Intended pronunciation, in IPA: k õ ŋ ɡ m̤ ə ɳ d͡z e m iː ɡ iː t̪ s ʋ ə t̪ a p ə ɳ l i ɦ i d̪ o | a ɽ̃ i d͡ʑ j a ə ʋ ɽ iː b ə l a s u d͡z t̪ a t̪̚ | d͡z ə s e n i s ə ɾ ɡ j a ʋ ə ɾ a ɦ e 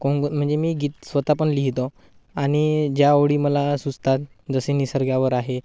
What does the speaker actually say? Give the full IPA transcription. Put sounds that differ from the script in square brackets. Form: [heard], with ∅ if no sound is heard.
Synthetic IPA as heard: k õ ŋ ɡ m̤ ə ɳ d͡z e m iː ɡ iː t̪ s ʋ ə t̪ a p ə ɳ l i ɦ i [t̪] o | a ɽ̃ i d͡ʑ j a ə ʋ ɽ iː [m] ə l a s u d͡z t̪ a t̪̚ | d͡z ə s e n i s ə ɾ ɡ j a ʋ ə ɾ a ɦ e